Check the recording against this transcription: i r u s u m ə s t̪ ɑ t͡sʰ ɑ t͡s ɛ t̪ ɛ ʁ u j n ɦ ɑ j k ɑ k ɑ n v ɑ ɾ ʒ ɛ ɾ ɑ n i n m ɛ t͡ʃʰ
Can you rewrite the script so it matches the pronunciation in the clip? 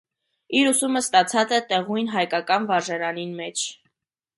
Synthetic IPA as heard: i ɾ u s u m ə s t̪ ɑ t͡sʰ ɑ t͡s ɛ t̪ ɛ ʁ u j n ɦ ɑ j k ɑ k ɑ n v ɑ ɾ ʒ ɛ ɾ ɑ n i n m ɛ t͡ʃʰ